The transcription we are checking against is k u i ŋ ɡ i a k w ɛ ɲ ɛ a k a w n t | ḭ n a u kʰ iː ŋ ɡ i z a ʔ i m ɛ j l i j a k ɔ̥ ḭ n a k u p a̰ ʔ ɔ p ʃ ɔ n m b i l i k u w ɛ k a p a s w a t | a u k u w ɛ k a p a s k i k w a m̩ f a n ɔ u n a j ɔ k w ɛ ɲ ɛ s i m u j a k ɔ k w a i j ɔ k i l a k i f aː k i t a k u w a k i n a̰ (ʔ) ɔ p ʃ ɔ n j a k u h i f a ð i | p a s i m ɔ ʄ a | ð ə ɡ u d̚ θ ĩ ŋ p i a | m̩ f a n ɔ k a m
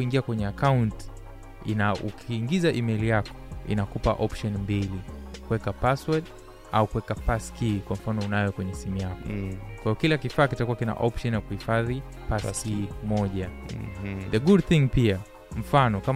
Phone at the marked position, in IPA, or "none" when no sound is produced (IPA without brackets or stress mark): ʔ